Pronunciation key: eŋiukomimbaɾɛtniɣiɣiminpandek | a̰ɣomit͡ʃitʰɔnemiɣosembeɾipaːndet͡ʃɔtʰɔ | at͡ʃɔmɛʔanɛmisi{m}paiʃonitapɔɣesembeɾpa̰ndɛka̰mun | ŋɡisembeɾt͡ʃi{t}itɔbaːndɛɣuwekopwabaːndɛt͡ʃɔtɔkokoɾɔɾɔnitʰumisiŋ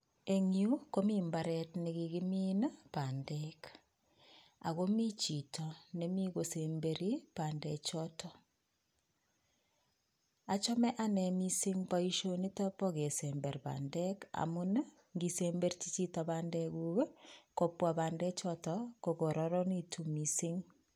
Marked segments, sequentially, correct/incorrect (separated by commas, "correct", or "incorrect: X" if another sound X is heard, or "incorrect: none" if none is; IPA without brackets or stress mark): incorrect: ŋ, incorrect: t͡ʃ